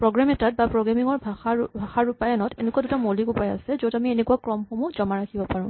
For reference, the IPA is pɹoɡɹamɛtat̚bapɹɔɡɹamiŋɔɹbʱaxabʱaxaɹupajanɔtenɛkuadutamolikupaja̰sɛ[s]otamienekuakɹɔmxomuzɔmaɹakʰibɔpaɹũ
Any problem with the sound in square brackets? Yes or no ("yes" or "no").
yes